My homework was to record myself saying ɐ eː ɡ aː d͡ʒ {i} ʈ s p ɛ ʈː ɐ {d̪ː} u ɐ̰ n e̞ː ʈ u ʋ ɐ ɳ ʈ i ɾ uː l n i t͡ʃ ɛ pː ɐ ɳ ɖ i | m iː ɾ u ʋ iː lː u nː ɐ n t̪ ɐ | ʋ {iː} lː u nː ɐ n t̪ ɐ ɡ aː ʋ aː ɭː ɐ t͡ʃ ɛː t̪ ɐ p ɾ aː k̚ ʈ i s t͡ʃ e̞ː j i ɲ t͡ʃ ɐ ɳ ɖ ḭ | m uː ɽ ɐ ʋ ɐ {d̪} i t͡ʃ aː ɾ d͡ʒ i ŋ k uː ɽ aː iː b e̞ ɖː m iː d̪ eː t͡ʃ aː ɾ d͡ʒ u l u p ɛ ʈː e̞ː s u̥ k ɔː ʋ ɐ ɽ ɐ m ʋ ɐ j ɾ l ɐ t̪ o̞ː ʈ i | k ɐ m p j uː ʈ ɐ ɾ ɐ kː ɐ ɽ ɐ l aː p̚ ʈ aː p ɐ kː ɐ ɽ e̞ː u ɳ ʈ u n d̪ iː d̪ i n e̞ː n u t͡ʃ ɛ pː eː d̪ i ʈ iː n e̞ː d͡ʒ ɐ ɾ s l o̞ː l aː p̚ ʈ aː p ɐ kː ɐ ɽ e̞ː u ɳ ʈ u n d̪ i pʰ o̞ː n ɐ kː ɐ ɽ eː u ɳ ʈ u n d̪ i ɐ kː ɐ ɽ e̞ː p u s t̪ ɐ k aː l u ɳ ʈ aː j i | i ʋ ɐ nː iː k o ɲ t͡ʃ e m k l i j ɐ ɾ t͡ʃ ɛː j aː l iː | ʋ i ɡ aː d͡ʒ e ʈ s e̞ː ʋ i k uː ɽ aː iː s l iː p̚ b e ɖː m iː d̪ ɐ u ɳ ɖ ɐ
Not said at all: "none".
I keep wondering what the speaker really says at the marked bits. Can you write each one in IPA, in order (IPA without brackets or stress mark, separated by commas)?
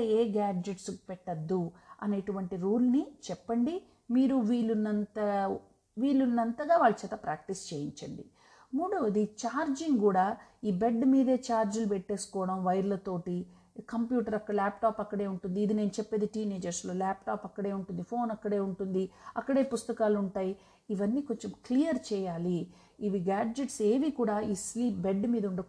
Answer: e, d̪ː, iː, d̪